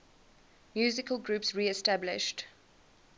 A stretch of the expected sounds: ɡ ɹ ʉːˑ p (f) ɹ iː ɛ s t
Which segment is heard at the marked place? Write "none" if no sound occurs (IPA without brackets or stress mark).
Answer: s